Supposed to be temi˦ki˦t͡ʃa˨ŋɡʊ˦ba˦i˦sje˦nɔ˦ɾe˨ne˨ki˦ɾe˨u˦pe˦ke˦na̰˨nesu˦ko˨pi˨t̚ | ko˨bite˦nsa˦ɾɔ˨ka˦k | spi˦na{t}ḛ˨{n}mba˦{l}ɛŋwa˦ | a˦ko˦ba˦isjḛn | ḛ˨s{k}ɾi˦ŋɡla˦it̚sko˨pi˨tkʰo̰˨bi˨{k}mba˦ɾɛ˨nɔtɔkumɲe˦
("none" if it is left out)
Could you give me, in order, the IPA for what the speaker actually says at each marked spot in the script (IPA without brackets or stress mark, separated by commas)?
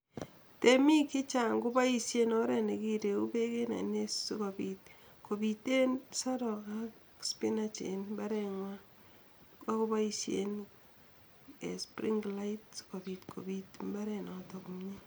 t͡ʃ, n, ɾ, p, t